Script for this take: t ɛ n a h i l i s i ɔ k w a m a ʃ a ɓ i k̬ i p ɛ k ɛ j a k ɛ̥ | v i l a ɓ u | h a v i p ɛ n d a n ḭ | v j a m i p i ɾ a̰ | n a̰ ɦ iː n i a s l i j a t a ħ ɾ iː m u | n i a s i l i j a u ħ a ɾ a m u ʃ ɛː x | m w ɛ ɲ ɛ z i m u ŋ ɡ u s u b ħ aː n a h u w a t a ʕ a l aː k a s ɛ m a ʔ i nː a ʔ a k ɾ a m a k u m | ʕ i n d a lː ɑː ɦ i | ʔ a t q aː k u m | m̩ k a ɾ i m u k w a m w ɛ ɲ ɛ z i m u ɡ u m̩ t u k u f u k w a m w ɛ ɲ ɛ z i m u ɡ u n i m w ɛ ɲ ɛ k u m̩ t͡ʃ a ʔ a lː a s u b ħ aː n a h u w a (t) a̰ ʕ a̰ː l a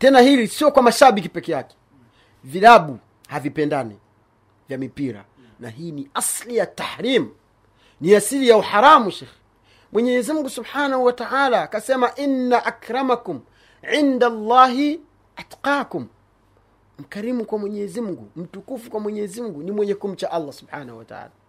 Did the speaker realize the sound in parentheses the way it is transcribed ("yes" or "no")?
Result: yes